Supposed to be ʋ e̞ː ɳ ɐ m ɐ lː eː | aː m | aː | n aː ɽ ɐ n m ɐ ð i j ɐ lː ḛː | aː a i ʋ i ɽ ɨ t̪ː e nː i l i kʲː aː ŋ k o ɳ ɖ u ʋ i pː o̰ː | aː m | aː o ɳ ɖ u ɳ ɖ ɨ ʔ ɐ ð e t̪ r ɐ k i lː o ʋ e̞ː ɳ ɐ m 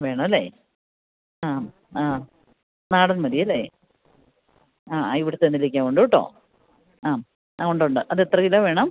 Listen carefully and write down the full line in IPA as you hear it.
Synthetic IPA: ʋ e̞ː ɳ ɐ m ɐ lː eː | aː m | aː | n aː ɽ ɐ n m ɐ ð i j ɐ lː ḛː | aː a i ʋ i ɽ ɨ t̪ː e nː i l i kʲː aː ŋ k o ɳ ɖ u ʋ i ʈː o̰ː | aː m | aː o ɳ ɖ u ɳ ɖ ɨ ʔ ɐ ð e t̪ r ɐ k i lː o ʋ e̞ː ɳ ɐ m